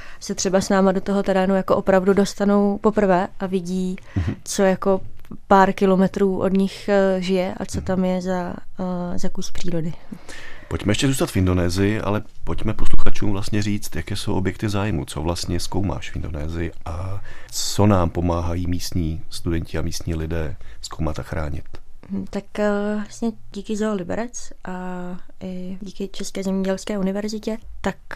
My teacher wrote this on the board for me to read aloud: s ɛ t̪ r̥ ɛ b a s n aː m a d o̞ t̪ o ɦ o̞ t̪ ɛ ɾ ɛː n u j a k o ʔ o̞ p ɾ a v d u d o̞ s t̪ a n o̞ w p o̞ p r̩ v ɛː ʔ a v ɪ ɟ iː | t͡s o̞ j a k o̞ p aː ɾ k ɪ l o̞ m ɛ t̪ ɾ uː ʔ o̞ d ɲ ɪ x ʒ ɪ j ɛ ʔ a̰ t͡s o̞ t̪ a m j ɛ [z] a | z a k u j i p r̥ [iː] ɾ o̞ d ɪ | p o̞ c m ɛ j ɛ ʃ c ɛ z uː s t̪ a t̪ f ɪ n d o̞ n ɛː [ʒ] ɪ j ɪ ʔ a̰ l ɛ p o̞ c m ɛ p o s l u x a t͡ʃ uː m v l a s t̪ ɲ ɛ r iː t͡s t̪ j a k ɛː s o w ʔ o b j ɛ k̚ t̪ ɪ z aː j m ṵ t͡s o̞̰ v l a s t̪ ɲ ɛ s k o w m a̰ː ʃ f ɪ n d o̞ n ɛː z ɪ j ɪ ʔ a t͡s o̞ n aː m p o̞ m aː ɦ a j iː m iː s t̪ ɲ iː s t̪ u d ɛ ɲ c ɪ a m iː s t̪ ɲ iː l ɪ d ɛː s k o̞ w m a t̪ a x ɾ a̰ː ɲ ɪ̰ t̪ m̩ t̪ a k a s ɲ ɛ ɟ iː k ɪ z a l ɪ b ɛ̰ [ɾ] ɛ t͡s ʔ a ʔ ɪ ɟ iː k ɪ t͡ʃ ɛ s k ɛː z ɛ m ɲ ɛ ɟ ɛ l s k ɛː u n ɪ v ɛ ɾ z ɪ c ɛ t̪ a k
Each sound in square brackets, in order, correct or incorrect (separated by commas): correct, correct, incorrect, correct